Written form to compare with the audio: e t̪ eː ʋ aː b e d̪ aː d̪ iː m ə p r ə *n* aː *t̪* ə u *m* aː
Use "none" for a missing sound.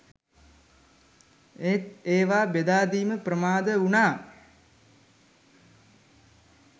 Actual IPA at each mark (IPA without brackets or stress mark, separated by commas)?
m, d̪, n